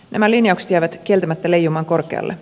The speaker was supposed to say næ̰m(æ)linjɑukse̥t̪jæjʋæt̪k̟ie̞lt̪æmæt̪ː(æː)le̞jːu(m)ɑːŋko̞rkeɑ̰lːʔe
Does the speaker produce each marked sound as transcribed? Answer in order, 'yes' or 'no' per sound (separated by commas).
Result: yes, no, yes